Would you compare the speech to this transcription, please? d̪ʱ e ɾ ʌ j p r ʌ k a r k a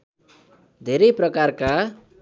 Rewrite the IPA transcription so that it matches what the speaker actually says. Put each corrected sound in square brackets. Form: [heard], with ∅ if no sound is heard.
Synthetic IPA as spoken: d̪ʱ e ɾ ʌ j p r ʌ k a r k a